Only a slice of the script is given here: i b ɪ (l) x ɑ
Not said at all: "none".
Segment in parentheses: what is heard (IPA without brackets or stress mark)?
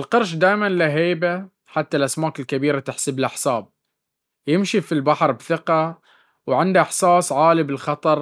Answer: l